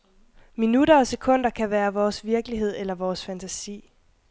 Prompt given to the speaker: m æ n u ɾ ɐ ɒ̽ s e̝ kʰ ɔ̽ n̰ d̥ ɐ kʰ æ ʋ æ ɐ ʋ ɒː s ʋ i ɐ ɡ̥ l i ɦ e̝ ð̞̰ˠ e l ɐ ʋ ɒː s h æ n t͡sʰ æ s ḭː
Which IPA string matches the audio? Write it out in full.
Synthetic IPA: m i n u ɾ ɐ ɒ̽ s e̝ kʰ ɔ̽ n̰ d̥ ɐ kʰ æ ʋ æː ɐ ʋ ɒː s ʋ i ɐ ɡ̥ l i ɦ e̝ ð̞̰ˠ e l ɐ ʋ ɒː s f æ n t͡sʰ æ s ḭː

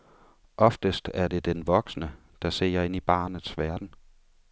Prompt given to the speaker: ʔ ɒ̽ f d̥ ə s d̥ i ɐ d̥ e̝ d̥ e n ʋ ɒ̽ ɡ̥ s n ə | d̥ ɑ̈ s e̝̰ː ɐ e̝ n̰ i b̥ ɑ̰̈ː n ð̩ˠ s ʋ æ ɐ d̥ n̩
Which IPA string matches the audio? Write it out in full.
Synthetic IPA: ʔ ɒ̽ f d̥ ə s d̥ æ ɐ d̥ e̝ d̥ e n ʋ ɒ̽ ɡ̥ s n ə | d̥ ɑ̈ s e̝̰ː ɐ e̝ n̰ i b̥ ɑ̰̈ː n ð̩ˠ s ʋ æ ɐ d̥ n̩

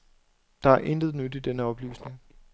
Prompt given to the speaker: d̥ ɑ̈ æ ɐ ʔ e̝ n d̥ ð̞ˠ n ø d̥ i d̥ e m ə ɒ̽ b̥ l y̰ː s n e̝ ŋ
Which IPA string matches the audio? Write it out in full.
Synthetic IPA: d̥ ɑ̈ æ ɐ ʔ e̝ n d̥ ð̞ˠ n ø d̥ i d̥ e n ə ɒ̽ b̥ l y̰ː s n e̝ ŋ

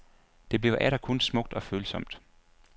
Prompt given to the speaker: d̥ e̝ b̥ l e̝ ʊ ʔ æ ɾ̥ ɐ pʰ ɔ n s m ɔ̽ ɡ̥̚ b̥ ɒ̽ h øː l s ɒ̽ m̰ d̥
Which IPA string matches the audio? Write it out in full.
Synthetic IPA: d̥ e̝ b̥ l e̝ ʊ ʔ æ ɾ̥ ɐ kʰ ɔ n s m ɔ̽ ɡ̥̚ d̥ ɒ̽ f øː l s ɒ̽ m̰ d̥

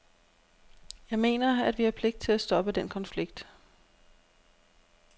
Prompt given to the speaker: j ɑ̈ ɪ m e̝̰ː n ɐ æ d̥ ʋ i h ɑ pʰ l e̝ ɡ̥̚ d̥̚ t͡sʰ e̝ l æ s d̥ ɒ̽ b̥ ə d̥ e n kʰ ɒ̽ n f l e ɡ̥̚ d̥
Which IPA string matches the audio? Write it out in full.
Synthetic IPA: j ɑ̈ ɪ m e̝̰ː n ɐ æ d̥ ʋ i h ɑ pʰ l e̝ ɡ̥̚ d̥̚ t͡sʰ e̝ l æ s d̥ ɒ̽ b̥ ə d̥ e n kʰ ɒ̽ n f l i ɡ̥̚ d̥

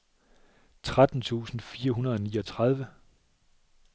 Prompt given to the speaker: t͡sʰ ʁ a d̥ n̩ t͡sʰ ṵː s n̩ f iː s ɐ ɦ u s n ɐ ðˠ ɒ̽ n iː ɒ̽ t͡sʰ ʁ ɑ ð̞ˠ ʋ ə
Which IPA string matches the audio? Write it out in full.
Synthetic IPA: t͡sʰ ʁ a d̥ n̩ t͡sʰ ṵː s n̩ f iː ɐ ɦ u n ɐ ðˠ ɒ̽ n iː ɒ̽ t͡sʰ ʁ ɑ ð̞ˠ ʋ ə

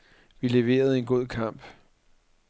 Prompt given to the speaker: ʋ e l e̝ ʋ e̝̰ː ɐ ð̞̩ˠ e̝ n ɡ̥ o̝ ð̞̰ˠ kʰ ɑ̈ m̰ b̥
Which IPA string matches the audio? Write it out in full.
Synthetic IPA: ʋ i l e̝ ʋ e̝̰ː ɐ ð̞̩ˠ e̝ n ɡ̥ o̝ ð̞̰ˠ kʰ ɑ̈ m̰ b̥

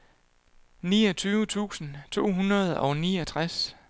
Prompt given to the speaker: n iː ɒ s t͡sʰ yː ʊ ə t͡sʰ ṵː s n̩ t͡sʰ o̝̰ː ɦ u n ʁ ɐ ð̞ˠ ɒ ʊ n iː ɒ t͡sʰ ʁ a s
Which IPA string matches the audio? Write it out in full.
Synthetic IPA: n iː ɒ t͡sʰ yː ʊ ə t͡sʰ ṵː s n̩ t͡sʰ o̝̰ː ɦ u n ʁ ɐ ð̞ˠ ɒ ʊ n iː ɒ t͡sʰ ʁ a s

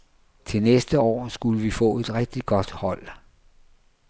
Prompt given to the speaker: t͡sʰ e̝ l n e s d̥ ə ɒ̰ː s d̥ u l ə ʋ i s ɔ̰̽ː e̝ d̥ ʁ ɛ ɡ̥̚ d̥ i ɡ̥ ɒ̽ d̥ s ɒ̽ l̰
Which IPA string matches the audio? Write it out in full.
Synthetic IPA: t͡sʰ e̝ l n e s d̥ ə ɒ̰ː s ɡ̥ u l ə ʋ i f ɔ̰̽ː e̝ d̥ ʁ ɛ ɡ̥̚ d̥ i ɡ̥ ɒ̽ d̥ h ɒ̽ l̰

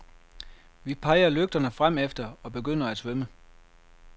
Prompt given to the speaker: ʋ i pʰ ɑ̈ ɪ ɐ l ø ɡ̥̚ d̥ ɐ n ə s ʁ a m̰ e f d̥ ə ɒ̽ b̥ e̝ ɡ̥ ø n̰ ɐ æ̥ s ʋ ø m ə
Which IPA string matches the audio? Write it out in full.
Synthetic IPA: ʋ i pʰ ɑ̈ ɪ ɐ l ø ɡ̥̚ d̥ ɐ n ə f ʁ a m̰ e f d̥ ɐ ɒ̽ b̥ e̝ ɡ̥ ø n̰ ɐ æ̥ s ʋ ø m ə

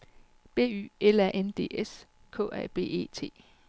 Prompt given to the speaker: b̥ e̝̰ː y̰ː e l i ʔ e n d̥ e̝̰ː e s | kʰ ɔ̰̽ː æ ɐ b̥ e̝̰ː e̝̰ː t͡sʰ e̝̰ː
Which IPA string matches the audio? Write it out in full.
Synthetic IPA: b̥ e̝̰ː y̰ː e l æ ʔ e n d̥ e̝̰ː e s | kʰ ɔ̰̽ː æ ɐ b̥ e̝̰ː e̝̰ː t͡sʰ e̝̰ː

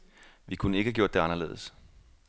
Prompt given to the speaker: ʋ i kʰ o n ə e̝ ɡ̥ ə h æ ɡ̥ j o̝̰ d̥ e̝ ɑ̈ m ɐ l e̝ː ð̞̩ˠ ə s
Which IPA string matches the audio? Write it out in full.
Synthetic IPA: ʋ i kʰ u n ə e̝ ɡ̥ ə h æ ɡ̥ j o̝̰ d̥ e̝ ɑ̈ n ɐ l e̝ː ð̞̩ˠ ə s

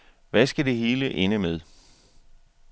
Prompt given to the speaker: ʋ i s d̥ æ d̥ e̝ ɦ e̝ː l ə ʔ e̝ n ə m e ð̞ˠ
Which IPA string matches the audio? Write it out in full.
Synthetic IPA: ʋ æ s ɡ̥ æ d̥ e̝ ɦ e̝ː l ə ʔ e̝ n ə m e ð̞ˠ

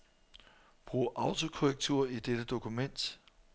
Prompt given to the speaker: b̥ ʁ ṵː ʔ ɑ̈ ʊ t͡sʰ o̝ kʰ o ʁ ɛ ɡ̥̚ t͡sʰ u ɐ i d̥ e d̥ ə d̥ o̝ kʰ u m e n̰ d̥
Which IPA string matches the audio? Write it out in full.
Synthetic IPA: b̥ ʁ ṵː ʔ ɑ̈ ʊ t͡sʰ o̝ kʰ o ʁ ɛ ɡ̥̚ t͡sʰ u ɐ i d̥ e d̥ ə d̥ o̝ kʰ u m e n̰ d̥

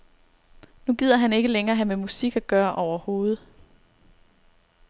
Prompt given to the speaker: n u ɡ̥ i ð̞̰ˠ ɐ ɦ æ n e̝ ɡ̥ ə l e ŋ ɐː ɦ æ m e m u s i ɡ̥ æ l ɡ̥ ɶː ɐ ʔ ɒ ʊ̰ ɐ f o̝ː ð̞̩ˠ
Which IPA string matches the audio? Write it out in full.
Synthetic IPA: n u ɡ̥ i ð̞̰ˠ ɐ ɦ æ n e̝ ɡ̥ ə l e ŋ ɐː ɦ æ m e m u s i ɡ̥ æ ɡ̥ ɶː ɐ ʔ ɒ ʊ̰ ɐ h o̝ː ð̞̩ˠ

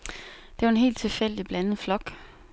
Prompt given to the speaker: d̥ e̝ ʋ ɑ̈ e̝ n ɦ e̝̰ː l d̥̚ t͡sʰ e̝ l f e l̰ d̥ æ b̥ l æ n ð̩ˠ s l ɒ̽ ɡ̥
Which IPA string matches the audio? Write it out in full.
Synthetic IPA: d̥ e̝ ʋ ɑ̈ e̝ n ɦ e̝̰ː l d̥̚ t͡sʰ e̝ l f e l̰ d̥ i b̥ l æ n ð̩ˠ f l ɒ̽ ɡ̥

